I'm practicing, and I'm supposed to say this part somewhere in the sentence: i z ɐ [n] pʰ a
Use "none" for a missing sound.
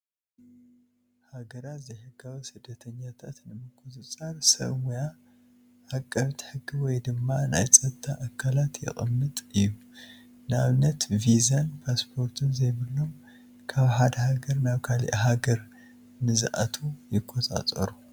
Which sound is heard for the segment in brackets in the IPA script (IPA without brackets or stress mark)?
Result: n